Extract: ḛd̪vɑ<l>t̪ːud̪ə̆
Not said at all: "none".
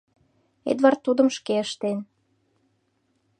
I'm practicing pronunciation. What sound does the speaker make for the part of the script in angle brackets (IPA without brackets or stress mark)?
r